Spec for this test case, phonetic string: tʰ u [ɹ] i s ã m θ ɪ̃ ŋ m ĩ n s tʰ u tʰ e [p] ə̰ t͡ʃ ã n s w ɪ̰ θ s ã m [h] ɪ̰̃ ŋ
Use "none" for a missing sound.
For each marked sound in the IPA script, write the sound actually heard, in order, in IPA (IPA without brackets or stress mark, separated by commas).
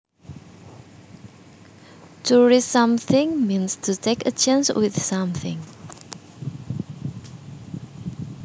ɹ, k, θ